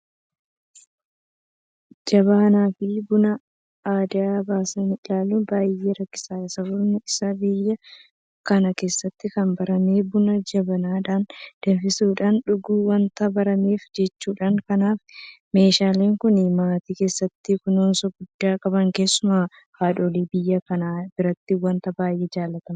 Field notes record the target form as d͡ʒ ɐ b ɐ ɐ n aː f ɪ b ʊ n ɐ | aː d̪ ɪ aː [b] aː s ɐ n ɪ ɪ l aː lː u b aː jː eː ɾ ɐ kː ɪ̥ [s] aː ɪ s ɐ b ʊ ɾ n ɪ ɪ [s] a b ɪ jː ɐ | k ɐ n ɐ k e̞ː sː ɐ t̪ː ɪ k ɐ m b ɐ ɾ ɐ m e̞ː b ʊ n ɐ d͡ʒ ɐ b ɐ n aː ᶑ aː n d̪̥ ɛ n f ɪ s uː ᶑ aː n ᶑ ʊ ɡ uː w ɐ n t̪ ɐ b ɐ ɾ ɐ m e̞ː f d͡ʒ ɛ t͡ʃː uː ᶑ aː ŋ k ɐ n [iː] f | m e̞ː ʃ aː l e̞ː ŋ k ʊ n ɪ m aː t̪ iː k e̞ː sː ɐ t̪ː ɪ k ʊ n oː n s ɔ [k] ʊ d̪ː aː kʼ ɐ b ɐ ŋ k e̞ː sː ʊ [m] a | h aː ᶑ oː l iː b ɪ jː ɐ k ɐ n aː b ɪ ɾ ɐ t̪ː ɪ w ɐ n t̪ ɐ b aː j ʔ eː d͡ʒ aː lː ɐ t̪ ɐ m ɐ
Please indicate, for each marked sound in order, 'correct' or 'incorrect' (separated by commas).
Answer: correct, correct, correct, incorrect, incorrect, correct